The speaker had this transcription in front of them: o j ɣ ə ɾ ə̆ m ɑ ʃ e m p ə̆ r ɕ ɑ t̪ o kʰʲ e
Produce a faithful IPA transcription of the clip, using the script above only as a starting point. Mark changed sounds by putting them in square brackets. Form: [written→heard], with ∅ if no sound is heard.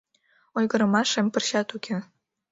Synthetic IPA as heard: o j ɣ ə ɾ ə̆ m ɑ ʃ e m p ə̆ r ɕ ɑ t̪ [o→u] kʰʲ e